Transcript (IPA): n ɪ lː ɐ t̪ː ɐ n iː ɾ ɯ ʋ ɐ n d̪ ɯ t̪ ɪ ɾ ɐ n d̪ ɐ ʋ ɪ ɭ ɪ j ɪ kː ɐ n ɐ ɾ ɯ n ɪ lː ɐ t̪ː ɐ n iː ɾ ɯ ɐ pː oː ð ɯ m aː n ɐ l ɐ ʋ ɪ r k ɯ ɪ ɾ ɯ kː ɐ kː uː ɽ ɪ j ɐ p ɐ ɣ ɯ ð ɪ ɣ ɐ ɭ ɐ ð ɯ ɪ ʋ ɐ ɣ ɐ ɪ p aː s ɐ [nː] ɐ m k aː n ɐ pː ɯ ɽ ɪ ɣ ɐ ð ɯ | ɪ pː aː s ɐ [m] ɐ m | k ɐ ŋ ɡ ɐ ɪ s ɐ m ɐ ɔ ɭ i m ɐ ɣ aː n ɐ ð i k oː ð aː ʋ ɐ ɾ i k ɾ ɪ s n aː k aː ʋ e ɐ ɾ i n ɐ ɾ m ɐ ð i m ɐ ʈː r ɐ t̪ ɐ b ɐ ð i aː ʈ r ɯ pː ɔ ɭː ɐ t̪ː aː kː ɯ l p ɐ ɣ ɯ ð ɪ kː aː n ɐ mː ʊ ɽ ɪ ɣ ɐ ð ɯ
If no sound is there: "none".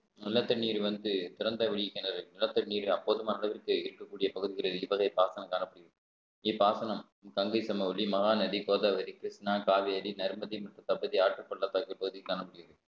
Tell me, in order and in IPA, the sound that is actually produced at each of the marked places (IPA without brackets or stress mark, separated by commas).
n, n